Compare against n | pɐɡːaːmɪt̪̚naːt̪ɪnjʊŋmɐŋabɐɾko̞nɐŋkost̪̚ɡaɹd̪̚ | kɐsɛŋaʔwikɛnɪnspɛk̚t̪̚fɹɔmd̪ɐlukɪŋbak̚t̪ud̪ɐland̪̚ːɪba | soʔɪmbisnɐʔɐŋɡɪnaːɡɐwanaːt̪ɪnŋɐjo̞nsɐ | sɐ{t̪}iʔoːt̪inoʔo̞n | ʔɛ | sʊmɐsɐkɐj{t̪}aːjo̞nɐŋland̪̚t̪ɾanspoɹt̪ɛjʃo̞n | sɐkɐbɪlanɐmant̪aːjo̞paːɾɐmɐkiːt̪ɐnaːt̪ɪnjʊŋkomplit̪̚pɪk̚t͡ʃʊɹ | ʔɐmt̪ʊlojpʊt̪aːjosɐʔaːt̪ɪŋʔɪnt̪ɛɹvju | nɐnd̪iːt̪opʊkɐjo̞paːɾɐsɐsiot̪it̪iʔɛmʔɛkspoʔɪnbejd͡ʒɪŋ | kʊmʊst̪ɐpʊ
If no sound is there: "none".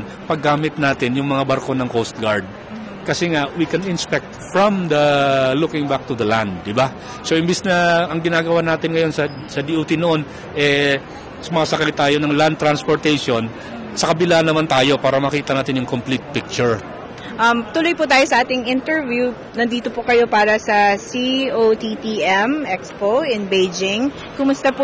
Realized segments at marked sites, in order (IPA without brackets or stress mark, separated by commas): d̪, t̪